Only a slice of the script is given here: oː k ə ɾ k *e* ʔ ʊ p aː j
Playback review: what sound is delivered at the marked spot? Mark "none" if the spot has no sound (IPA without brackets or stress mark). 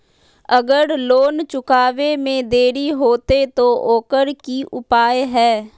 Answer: i